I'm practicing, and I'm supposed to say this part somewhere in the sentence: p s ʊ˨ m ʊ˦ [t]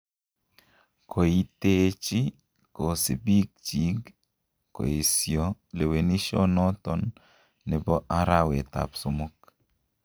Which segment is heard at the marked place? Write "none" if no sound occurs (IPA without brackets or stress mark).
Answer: k